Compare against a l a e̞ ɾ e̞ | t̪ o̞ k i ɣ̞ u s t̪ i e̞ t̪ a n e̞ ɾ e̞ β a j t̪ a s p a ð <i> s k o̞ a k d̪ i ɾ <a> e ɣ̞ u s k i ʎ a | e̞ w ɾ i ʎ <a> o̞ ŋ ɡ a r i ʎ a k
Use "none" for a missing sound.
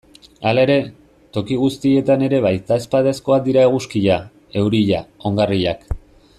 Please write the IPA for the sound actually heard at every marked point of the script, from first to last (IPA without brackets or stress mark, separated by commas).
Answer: e, a, a